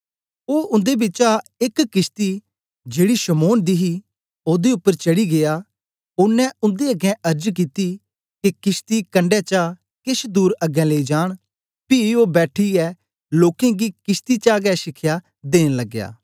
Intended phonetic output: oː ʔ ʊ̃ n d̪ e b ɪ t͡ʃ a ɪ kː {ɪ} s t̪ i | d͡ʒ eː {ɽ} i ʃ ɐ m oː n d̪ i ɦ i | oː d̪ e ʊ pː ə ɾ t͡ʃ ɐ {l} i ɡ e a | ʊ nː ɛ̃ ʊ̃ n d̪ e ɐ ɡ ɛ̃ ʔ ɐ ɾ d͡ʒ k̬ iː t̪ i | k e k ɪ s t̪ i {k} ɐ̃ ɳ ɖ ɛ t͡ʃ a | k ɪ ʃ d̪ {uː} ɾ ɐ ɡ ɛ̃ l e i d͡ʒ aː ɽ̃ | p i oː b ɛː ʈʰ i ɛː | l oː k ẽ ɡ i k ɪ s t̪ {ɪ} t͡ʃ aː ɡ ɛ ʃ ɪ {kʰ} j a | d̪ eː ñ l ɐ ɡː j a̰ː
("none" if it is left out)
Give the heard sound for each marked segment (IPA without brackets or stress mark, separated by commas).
ɪ, ɽ, ɽ, k, uː, i, kʰ